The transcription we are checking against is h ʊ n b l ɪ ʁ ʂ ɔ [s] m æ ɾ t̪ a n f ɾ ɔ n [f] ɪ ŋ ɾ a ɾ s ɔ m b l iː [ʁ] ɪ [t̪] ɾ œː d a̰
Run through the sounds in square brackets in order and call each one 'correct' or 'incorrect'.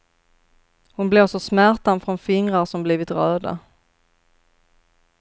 correct, correct, incorrect: v, correct

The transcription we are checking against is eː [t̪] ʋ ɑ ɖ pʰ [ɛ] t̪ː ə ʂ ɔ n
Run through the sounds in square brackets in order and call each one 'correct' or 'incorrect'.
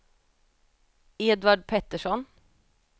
incorrect: d̪, correct

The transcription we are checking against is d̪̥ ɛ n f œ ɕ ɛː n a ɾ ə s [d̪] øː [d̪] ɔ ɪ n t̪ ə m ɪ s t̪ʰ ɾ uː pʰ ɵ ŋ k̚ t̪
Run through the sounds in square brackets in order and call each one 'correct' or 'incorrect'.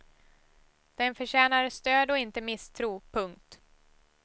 incorrect: t̪, correct

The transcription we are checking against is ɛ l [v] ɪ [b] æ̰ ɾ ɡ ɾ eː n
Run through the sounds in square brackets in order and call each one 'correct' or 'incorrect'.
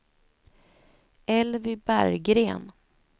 correct, correct

